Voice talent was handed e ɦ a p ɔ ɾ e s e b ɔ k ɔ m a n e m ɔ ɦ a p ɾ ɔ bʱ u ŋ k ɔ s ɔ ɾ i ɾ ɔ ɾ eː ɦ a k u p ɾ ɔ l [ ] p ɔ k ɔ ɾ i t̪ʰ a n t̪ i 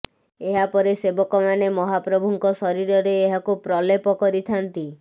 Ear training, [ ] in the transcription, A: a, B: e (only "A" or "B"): B